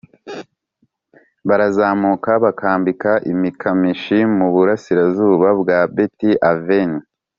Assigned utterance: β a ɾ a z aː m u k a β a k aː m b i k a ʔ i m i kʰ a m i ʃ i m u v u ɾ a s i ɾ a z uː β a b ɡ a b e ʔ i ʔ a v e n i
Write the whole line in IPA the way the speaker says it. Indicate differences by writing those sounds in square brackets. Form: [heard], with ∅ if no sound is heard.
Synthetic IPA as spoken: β a ɾ a z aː m u k a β a k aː m b i k a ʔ i m i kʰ a m i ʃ i m u [β] u ɾ a s i ɾ a z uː β a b ɡ a b e [t] i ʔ a v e n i